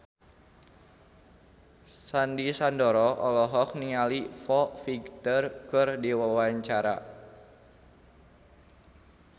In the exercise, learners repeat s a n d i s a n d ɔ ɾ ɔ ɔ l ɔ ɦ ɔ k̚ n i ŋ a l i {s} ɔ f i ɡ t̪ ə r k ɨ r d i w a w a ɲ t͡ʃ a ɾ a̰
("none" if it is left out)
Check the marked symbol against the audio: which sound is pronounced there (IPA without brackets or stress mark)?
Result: f